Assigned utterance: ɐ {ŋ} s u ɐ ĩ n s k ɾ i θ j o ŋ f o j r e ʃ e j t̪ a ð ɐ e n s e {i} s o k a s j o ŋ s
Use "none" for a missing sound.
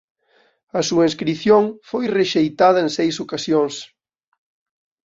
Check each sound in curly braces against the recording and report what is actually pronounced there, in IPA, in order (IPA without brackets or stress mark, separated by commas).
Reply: none, j